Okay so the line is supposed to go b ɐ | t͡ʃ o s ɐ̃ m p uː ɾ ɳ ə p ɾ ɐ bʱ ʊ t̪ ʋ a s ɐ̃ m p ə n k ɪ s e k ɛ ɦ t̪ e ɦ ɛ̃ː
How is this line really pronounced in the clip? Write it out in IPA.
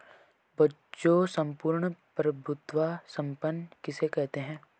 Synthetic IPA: b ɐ | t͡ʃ o s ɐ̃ m p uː ɾ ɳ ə p ɾ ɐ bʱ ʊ t̪ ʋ a s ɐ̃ m p ə n k ɪ s e k ɛ ɦ t̪ e ɦ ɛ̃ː